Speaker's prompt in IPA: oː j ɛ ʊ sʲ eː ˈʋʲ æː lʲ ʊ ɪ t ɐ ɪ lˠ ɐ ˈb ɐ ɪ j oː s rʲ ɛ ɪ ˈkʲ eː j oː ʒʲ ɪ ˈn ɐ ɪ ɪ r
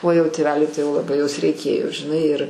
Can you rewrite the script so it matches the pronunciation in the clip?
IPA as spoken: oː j ɛ ʊ tʲ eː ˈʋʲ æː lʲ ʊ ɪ t ɐ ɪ lˠ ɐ ˈb ɐ ɪ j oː s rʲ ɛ ɪ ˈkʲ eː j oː ʒʲ ɪ ˈn ɐ ɪ ɪ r